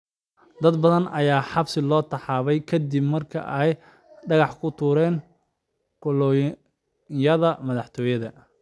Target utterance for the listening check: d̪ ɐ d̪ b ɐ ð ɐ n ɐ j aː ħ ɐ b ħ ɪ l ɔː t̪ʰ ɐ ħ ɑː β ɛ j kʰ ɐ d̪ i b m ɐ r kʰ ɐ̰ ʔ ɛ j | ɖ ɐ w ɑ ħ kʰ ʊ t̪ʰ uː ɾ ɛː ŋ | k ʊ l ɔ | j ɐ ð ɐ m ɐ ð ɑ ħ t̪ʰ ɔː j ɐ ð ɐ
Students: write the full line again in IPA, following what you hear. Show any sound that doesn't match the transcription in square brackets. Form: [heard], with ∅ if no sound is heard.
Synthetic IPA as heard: d̪ ɐ d̪ b ɐ ð ɐ n ɐ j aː ħ [ɑ] b [s] ɪ l ɔː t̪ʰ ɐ ħ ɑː β ɛ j kʰ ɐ d̪ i b m ɐ r kʰ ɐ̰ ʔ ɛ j | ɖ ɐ [ɣ] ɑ ħ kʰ ʊ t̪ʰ uː ɾ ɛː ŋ | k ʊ l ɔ | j ɐ ð ɐ m ɐ ð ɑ ħ t̪ʰ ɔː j ɐ ð ɐ